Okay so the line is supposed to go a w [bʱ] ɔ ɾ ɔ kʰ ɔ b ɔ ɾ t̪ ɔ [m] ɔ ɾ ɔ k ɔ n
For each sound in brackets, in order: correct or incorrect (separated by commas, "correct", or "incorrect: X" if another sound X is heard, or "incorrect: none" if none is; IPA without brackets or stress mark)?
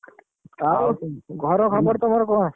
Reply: incorrect: ɡʱ, correct